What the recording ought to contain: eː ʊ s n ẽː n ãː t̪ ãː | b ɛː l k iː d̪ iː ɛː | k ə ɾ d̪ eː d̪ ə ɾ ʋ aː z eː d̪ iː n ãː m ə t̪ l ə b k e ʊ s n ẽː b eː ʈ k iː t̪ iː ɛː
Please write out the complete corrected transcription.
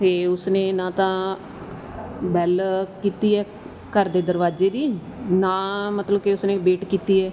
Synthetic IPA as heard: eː ʊ s n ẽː n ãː t̪ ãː | b ɛː l k iː t̪ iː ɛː | k ə ɾ d̪ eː d̪ ə ɾ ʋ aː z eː d̪ iː n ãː m ə t̪ l ə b k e ʊ s n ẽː b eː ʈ k iː t̪ iː ɛː